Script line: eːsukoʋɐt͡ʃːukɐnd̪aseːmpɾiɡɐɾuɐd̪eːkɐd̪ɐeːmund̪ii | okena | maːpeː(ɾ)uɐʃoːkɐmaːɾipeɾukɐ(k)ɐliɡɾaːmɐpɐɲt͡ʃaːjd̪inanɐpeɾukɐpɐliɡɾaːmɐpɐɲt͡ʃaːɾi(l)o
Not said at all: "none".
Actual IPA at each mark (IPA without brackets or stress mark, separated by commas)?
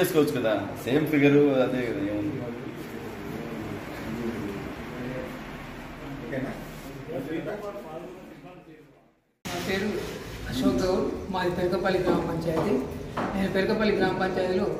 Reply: ɾ, p, l